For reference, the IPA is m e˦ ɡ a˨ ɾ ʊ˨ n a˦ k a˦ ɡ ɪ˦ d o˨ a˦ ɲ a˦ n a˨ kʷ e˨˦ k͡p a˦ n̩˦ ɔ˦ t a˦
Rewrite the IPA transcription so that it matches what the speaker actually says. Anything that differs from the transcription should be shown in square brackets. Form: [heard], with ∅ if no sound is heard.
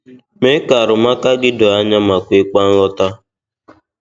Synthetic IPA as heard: m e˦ [k] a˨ ɾ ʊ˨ [m] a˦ k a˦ ɡ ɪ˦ d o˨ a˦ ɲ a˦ [m] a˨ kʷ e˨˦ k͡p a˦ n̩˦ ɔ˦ t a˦

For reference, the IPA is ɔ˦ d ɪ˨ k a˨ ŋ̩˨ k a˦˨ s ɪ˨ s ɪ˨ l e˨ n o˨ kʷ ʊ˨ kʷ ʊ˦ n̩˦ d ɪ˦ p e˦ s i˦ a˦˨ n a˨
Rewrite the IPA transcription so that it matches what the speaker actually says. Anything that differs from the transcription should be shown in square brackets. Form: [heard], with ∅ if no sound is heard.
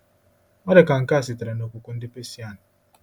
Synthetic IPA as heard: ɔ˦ d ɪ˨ k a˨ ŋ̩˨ k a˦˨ s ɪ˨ [t] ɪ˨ [ɾ] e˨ n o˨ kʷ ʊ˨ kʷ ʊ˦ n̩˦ d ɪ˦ p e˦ s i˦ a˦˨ n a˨

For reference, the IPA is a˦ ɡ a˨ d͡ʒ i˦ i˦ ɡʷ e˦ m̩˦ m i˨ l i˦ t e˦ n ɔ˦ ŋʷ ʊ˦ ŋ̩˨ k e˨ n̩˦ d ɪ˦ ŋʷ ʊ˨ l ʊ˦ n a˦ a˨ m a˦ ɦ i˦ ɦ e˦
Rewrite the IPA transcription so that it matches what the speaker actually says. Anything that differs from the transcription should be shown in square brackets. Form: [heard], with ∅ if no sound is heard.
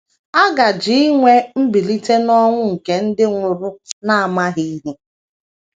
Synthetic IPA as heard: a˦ ɡ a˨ d͡ʒ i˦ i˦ [ŋʷ] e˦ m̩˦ [b] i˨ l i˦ t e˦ n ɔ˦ ŋʷ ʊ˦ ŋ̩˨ k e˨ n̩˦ d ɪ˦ ŋʷ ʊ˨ [ɾ] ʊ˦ n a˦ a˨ m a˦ ɦ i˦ ɦ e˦

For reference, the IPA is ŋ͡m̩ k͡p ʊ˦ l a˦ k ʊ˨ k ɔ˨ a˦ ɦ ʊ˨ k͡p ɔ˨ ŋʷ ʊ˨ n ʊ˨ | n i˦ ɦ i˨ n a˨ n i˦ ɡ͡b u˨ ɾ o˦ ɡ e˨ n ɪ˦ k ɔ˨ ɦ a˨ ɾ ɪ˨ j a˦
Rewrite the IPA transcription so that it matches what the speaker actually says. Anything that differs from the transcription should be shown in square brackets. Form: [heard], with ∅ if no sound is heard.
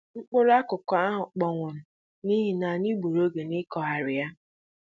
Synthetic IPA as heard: ŋ͡m̩ k͡p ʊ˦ [ɾ] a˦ k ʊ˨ k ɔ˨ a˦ ɦ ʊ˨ k͡p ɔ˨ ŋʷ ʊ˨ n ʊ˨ | n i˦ ɦ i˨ n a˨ n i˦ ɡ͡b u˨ ɾ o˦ ɡ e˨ n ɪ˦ k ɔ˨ ɦ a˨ ɾ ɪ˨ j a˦

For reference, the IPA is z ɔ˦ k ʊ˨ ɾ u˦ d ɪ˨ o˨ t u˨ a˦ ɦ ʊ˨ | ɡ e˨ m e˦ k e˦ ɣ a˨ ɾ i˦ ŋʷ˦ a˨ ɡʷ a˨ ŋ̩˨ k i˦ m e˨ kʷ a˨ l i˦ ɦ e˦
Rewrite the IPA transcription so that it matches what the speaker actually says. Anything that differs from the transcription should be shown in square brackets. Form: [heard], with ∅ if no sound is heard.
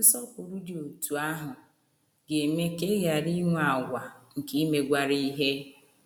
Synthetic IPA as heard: [s] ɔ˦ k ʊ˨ ɾ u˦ d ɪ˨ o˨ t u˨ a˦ ɦ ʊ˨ | ɡ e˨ m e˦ k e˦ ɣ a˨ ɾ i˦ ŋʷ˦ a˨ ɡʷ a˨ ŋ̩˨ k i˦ m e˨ [ɡʷ] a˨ [ɾ] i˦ ɦ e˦

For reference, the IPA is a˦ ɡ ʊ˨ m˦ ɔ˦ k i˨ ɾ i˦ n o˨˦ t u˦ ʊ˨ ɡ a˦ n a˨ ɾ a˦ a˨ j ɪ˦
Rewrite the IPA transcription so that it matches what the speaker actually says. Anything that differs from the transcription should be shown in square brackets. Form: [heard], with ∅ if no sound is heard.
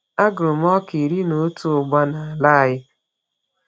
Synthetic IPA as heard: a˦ ɡ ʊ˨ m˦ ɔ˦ k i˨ ɾ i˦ n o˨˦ t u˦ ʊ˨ [ɡ͡b] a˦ n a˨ [l] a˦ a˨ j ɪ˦

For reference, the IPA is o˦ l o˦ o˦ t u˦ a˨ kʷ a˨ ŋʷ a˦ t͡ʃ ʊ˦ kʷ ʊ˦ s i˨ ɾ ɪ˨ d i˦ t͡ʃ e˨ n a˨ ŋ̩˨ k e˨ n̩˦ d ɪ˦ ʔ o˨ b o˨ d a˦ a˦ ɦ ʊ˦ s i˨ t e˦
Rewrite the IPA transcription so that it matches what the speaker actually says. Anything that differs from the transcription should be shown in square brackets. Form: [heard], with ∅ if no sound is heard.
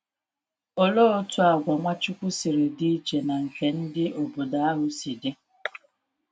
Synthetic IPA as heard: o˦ l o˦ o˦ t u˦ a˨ [ɡʷ] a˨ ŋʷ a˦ t͡ʃ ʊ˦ kʷ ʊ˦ s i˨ ɾ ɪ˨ d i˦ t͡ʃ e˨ n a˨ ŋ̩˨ k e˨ n̩˦ d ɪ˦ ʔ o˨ b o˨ d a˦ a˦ ɦ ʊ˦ s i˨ [d] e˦

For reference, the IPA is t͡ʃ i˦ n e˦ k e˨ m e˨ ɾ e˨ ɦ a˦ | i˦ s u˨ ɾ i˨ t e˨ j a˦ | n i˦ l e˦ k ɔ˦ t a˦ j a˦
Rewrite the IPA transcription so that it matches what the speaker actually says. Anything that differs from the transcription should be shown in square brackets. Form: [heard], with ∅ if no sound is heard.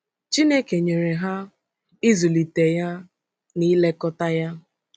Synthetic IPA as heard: t͡ʃ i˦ n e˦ k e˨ [ɲ] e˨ ɾ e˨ ɦ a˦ | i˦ [z] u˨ [l] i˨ t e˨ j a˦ | n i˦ l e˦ k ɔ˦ t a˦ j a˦

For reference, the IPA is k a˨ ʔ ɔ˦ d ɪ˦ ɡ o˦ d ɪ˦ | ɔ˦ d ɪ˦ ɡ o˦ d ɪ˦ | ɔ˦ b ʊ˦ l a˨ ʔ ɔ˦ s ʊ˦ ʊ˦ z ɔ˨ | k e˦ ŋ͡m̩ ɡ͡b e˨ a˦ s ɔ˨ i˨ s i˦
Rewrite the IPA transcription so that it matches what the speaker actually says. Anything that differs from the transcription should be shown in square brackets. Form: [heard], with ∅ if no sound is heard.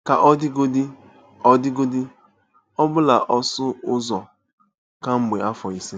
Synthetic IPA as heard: k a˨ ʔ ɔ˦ d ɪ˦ ɡ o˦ d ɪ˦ | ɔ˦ d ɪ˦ ɡ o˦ d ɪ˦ | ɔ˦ b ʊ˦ l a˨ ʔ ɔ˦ s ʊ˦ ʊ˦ z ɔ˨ | k [a˦] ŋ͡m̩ ɡ͡b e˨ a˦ [f] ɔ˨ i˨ s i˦

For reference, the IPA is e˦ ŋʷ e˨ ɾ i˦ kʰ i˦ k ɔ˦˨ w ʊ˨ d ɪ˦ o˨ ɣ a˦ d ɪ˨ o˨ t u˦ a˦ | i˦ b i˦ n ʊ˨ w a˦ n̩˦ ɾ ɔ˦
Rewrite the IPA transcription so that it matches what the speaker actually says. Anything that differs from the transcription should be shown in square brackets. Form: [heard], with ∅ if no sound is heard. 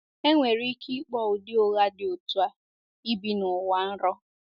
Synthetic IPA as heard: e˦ ŋʷ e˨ ɾ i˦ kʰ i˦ [k͡p] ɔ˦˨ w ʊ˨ d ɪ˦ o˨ ɣ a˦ d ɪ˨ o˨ t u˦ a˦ | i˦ b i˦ n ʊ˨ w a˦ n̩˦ ɾ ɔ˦

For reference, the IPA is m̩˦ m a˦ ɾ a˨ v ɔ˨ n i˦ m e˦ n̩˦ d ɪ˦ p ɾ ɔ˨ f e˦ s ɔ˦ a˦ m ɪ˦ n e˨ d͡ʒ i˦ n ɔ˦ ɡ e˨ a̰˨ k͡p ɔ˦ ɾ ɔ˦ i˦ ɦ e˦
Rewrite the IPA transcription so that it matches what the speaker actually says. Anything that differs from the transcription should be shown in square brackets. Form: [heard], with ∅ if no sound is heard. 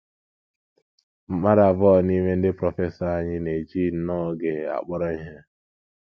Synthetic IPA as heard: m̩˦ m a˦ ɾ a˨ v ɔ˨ n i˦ m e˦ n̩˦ d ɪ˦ p ɾ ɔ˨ f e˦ s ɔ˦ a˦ [ɲ] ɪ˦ n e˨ d͡ʒ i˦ n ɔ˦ ɡ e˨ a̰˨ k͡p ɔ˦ ɾ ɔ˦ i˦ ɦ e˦

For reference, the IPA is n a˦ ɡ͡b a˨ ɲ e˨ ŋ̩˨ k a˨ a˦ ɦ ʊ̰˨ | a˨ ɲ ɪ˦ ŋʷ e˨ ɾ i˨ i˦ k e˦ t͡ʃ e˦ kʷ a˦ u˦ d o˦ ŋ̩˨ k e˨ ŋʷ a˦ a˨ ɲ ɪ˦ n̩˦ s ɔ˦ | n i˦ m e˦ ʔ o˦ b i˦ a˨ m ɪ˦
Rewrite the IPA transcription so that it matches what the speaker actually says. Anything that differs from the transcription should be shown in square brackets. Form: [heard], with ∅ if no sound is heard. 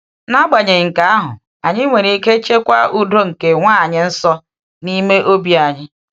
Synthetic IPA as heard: n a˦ ɡ͡b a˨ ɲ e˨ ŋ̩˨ k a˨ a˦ ɦ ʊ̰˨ | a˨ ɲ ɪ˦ ŋʷ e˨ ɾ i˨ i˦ k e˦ t͡ʃ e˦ kʷ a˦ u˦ d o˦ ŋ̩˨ k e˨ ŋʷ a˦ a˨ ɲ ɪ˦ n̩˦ s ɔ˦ | n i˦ m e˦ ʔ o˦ b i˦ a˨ [ɲ] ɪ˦

